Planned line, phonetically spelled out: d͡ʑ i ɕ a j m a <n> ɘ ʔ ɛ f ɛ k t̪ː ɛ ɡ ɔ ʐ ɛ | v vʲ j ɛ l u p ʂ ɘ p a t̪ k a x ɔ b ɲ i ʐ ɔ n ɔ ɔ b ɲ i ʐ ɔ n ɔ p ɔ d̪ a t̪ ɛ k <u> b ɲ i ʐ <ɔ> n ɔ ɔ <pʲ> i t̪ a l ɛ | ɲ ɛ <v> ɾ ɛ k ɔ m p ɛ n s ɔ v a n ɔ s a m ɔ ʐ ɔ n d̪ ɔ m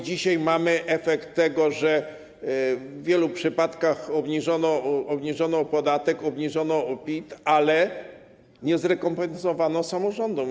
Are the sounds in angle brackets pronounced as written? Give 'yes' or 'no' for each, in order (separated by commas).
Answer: no, no, yes, yes, no